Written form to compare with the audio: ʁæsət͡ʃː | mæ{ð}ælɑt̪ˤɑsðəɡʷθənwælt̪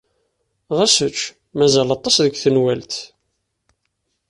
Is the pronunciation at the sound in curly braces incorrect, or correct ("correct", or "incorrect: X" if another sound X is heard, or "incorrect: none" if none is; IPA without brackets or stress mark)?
incorrect: z